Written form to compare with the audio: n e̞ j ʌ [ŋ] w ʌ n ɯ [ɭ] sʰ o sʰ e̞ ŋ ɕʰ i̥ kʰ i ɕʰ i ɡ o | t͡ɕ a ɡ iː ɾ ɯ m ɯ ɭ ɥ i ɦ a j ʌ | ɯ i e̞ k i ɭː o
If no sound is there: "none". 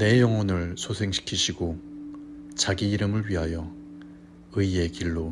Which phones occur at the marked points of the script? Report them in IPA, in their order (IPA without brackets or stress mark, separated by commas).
ŋ, ɭ